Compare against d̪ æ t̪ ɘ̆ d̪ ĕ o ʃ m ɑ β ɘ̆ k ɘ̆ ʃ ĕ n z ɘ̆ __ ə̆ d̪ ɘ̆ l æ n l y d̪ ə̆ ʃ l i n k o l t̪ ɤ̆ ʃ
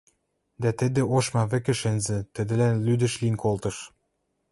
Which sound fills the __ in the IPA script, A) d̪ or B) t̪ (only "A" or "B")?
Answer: B